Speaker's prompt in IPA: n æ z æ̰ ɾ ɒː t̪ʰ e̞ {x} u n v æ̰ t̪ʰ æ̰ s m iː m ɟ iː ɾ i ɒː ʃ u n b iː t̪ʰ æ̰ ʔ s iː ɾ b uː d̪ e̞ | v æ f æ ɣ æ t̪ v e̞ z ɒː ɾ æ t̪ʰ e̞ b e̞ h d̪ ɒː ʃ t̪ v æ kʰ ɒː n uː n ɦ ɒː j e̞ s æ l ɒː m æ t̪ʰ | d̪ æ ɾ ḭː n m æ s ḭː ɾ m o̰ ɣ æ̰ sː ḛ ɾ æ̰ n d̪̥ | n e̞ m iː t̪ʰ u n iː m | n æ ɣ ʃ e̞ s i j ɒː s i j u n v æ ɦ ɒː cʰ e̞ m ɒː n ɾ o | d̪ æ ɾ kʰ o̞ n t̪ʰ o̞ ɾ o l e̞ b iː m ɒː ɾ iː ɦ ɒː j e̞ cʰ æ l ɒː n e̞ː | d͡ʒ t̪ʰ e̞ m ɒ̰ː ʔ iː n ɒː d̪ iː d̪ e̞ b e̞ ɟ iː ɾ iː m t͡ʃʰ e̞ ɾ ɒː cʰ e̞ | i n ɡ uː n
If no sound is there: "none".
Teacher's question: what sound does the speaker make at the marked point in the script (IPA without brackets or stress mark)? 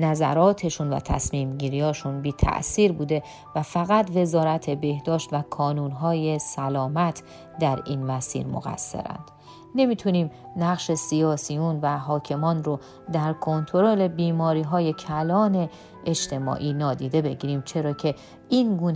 ʃ